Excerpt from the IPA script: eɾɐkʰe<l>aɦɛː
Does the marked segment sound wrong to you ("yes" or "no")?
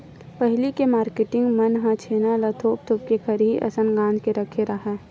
yes